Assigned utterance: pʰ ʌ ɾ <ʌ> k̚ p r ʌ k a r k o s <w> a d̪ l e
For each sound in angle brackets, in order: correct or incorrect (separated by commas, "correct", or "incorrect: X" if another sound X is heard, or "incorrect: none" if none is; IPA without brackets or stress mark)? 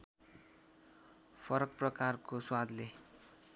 correct, correct